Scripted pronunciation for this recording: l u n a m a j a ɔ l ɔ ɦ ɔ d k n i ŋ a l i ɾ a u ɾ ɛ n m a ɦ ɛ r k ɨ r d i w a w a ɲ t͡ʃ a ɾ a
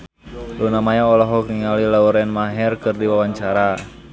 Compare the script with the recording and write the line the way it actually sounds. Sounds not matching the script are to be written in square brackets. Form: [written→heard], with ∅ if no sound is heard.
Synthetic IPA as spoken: l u n a m a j a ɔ l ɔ ɦ ɔ [d→∅] k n i ŋ a l i [ɾ→l] a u ɾ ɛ n m a ɦ ɛ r k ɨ r d i w a w a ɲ t͡ʃ a ɾ a

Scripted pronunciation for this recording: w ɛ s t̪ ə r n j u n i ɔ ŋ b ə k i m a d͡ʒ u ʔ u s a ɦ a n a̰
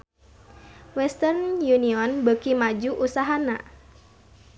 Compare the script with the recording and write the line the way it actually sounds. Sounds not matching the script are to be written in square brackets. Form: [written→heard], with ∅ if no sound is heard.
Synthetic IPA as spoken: w ɛ s t̪ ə r n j u n i ɔ [ŋ→n] b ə k i m a d͡ʒ u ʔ u s a ɦ a n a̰

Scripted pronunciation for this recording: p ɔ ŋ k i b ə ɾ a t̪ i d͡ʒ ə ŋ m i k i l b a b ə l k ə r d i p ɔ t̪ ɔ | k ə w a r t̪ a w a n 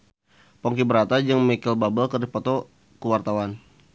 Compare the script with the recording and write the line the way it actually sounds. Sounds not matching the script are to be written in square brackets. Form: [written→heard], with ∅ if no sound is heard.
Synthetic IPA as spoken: p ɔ ŋ k i b ə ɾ a t̪ [i→a] d͡ʒ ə ŋ m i k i l b a b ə l k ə r d i p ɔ t̪ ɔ | k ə w a r t̪ a w a n

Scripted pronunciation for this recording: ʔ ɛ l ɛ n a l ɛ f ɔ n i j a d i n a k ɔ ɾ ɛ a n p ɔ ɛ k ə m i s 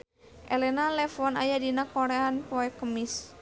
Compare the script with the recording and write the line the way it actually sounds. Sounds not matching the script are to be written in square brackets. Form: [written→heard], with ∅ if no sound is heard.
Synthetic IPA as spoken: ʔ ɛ l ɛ n a l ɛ f ɔ n [i→a] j a d i n a k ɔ ɾ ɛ a n p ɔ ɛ k ə m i s

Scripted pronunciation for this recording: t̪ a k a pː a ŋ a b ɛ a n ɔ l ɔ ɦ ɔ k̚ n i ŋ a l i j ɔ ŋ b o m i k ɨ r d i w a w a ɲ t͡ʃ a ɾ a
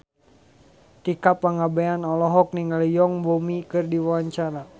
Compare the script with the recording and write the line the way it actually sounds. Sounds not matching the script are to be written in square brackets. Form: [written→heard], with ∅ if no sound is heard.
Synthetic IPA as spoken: t̪ [a→i] k a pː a ŋ a b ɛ a n ɔ l ɔ ɦ ɔ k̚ n i ŋ a l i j ɔ ŋ b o m i k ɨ r d i w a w a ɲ t͡ʃ a ɾ a

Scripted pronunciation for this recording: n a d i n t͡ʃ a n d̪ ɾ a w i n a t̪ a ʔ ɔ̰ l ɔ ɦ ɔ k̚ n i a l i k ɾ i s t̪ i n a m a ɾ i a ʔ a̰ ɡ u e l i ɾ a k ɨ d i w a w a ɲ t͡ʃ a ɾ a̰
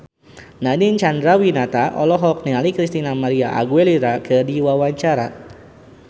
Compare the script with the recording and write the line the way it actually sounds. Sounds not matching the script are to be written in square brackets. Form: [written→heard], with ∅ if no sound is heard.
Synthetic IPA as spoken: n a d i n t͡ʃ a n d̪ ɾ a w i n a t̪ a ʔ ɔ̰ l ɔ ɦ ɔ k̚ n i a l i k ɾ i s t̪ i n a m a ɾ i a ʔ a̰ ɡ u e l i ɾ a k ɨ d i w a w a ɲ t͡ʃ a ɾ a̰

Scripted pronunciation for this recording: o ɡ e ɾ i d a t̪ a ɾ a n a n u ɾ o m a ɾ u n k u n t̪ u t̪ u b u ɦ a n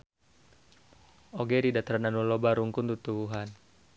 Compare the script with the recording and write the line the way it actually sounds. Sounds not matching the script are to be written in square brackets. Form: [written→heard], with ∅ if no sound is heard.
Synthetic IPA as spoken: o ɡ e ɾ i d a t̪ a ɾ a n a n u [ɾ→l] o [m→b] a ɾ u [n→ŋ] k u n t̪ u t̪ u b u ɦ a n

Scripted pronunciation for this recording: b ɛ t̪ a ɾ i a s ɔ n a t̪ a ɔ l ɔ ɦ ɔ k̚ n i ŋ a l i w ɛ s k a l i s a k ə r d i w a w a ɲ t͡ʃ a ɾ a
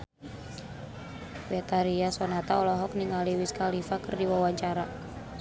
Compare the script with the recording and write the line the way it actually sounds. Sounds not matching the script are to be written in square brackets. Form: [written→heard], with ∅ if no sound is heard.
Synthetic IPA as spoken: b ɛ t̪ a ɾ i a s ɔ n a t̪ a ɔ l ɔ ɦ ɔ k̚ n i ŋ a l i w [ɛ→i] s k a l i [s→f] a k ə r d i w a w a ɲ t͡ʃ a ɾ a

